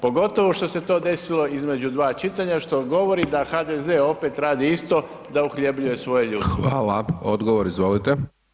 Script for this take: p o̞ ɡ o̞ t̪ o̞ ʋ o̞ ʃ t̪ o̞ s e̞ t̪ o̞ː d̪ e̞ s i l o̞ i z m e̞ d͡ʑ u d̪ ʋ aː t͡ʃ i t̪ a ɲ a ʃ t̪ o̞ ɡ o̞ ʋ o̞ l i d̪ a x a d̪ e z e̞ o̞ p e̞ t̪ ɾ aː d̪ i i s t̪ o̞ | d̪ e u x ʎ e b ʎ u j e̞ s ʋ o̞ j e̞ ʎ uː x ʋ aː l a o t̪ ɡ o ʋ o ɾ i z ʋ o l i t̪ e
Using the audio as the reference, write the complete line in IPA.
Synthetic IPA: p o̞ ɡ o̞ t̪ o̞ ʋ o̞ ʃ t̪ o̞ s e̞ t̪ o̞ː d̪ e̞ s i l o̞ i z m e̞ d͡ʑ u d̪ ʋ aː t͡ʃ i t̪ a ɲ a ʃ t̪ o̞ ɡ o̞ ʋ o̞ ɾ i d̪ a x a d̪ e z e̞ o̞ p e̞ t̪ ɾ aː d̪ i i s t̪ o̞ | d̪ a u x ʎ e b ʎ u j e̞ s ʋ o̞ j e̞ ʎ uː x ʋ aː l a o d̪ ɡ o ʋ o ɾ i z ʋ o l i t̪ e

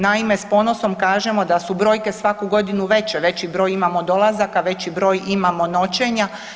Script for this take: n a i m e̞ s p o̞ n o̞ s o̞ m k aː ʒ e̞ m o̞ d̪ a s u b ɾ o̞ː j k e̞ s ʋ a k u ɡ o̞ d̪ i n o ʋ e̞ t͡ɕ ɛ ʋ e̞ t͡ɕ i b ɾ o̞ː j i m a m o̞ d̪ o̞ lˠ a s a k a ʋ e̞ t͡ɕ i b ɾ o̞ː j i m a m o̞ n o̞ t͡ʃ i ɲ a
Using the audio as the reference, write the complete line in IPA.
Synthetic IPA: n a i m e̞ s p o̞ n o̞ s o̞ m k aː ʒ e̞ m o̞ d̪ a s u b ɾ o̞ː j k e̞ s ʋ a k u ɡ o̞ d̪ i n u ʋ e̞ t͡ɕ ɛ ʋ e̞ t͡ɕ i b ɾ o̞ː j i m a m o̞ d̪ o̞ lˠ a z a k a ʋ e̞ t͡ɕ i b ɾ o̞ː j i m a m o̞ n o̞ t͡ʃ e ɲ a

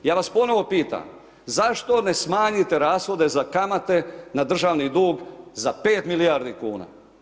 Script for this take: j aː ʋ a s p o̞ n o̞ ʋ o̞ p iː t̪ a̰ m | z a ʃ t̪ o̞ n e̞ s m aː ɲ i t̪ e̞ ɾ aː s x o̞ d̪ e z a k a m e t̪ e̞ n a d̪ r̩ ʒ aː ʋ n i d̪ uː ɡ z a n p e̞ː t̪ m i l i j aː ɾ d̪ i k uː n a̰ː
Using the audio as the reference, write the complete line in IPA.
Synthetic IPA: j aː ʋ a s p o̞ n o̞ ʋ o̞ p iː t̪ a̰ m | z a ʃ t̪ o̞ n e̞ s m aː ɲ i t̪ e̞ ɾ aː s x o̞ d̪ e z a k a m a t̪ e̞ n a d̪ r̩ ʒ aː ʋ n i d̪ uː ɡ z a p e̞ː t̪ m i l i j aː ɾ d̪ i k uː n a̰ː

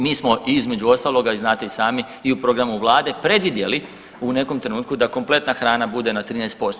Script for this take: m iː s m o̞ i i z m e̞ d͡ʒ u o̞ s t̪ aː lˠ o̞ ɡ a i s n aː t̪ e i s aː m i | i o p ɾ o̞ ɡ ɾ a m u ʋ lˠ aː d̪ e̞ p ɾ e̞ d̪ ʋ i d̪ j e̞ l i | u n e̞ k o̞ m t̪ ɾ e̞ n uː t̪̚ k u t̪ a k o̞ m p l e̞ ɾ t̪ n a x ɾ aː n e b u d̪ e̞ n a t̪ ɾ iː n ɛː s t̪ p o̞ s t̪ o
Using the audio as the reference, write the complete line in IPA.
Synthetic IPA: m iː s m o̞ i i z m e̞ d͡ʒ u o̞ s t̪ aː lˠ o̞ ɡ a i z n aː t̪ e i s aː m i | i u p ɾ o̞ ɡ ɾ a m u ʋ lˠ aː d̪ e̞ p ɾ e̞ d̪ ʋ i d̪ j e̞ l i | u n e̞ k o̞ m t̪ ɾ e̞ n uː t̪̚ k u d̪ a k o̞ m p l e̞ t̪ n a x ɾ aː n a b u d̪ e̞ n a t̪ ɾ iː n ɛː s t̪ p o̞ s t̪ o

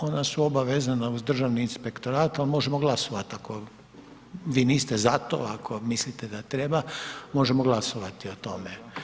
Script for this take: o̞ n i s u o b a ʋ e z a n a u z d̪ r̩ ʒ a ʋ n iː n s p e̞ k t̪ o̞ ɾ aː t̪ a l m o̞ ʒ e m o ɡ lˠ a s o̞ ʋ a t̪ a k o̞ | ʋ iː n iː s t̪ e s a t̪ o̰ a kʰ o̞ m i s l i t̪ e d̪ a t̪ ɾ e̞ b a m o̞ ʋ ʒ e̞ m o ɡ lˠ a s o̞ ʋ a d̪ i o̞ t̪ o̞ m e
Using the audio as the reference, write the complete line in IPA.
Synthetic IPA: o̞ n a s u o b a ʋ e z a n a u z d̪ r̩ ʒ a ʋ n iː n s p e̞ k t̪ o̞ ɾ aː t̪ a l m o̞ ʒ e m o ɡ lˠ a s o̞ ʋ a t̪ a k o̞ | ʋ iː n iː s t̪ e z a t̪ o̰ a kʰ o̞ m i s l i t̪ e d̪ a t̪ ɾ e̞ b a m o̞ ʒ e̞ m o ɡ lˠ a s o̞ ʋ a t̪ i o̞ t̪ o̞ m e

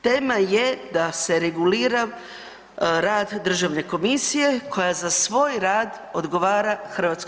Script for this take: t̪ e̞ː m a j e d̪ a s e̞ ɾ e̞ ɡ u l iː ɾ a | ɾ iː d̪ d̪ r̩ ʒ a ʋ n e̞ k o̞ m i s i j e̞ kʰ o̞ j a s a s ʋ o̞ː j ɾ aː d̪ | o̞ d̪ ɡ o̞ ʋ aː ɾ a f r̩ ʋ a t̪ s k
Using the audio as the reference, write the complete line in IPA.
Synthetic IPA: t̪ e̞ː m a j e d̪ a s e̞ ɾ e̞ ɡ u l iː ɾ a | ɾ aː d̪ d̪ r̩ ʒ a ʋ n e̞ k o̞ m i s i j e̞ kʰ o̞ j a z a s ʋ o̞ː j ɾ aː d̪ | o̞ d̪ ɡ o̞ ʋ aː ɾ a x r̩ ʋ a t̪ s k

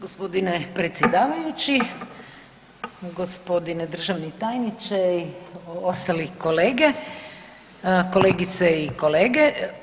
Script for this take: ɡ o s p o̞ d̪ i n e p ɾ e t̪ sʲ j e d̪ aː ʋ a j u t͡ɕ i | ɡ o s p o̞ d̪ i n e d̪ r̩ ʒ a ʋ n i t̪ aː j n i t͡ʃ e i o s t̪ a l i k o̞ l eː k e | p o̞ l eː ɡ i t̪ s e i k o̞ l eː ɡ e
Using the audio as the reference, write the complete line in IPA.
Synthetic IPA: ɡ o s p o̞ d̪ i n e p ɾ e t̪ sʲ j e d̪ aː ʋ a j u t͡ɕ i | ɡ o s p o̞ d̪ i n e d̪ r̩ ʒ a ʋ n i t̪ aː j n i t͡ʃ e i o s t̪ a l i k o̞ l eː ɡ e | k o̞ l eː ɡ i t̪ s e i k o̞ l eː ɡ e

